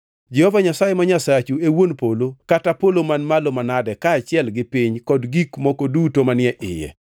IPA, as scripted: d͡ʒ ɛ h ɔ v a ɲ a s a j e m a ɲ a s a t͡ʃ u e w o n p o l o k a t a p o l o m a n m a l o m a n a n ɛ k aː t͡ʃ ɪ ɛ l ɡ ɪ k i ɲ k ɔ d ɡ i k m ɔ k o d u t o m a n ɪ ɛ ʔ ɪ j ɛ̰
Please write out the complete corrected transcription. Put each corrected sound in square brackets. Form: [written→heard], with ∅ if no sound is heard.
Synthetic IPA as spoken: d͡ʒ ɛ h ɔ v a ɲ a s a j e m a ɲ a s a t͡ʃ u e w o n p o l o k a t a p o l o m a n m a l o m a n a [n→d] ɛ k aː t͡ʃ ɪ ɛ l ɡ ɪ [k→p] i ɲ k ɔ d ɡ i k m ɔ k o d u t o m a n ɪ ɛ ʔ ɪ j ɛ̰